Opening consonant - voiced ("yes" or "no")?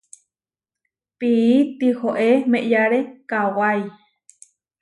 no